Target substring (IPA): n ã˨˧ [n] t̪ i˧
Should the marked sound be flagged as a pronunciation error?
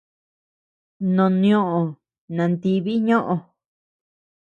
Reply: no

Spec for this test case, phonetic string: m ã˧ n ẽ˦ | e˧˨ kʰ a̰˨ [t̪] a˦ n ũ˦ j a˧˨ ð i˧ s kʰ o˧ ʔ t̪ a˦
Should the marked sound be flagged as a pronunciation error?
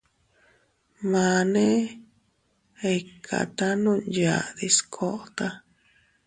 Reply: no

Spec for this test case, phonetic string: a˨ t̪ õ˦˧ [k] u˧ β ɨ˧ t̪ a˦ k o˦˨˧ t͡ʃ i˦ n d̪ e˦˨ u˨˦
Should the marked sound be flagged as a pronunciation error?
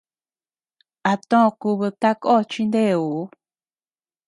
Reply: no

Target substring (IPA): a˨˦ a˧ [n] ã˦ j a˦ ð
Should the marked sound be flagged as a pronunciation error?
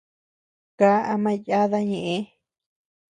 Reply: yes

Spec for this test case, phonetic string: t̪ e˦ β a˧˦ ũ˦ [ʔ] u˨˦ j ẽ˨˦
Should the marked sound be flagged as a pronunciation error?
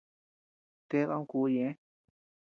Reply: yes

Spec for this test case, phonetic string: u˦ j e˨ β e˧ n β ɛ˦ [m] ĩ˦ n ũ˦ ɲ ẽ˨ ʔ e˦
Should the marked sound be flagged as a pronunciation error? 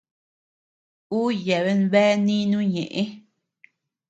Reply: yes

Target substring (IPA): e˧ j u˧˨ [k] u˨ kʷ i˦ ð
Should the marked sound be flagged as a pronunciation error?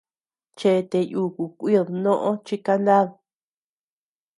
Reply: no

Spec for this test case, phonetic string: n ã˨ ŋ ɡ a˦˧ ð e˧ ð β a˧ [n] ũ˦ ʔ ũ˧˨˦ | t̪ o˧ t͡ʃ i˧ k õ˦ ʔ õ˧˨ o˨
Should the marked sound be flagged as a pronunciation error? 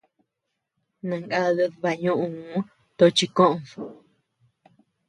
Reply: yes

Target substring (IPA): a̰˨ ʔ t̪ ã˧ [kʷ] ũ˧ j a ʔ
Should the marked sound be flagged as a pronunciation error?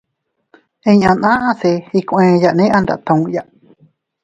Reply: yes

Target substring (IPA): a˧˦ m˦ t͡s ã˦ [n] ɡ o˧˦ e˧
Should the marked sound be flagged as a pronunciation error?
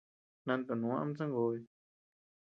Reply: yes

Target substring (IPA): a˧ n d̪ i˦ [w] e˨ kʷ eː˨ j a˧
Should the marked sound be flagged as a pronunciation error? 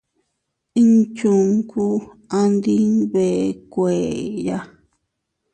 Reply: yes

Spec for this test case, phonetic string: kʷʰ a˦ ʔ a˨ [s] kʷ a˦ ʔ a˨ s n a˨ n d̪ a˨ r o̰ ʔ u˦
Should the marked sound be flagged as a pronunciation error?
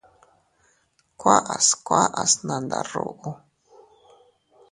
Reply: no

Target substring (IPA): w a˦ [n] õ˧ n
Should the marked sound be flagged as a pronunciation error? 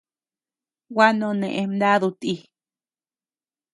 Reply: no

